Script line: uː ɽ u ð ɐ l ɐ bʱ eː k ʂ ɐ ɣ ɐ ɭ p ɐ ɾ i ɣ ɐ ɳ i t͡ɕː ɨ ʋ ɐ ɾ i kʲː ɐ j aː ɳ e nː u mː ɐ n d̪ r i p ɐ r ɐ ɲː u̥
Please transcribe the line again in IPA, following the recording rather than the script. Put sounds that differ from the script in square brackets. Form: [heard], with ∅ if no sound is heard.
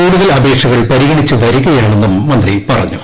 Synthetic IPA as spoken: uː ɽ u ð ɐ l ɐ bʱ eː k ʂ ɐ ɣ ɐ ɭ p ɐ ɾ i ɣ ɐ ɳ i t͡ɕː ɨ ʋ ɐ ɾ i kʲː ɐ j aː ɳ e nː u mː ɐ n d̪ r i p ɐ r ɐ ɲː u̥